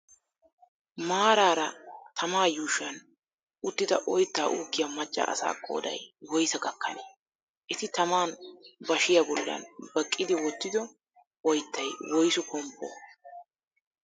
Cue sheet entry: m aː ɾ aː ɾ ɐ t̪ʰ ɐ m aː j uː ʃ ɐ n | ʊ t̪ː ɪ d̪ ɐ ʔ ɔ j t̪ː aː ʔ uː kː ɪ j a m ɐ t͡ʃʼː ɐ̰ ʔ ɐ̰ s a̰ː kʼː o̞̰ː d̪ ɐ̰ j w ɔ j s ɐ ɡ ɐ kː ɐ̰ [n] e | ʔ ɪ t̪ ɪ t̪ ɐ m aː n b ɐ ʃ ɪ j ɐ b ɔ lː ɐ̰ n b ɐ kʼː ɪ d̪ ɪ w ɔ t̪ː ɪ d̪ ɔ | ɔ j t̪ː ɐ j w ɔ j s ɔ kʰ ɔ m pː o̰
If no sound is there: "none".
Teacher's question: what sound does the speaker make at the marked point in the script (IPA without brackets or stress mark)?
n